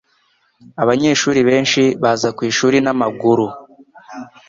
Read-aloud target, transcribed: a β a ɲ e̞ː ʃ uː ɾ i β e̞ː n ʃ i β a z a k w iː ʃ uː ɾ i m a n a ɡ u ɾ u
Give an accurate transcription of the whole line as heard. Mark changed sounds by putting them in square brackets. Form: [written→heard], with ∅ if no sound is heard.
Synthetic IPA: a β a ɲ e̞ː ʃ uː ɾ i β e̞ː n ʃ i β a z a k w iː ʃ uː ɾ i [m→n] a [n→m] a ɡ u ɾ u